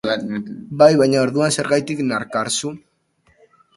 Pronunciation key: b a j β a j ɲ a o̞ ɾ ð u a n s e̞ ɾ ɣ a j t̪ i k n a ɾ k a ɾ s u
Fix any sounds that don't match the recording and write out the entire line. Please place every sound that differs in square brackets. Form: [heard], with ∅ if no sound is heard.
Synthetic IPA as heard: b a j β a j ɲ a o̞ ɾ ð u a n s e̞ ɾ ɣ a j t̪ i k n a ɾ k a ɾ s u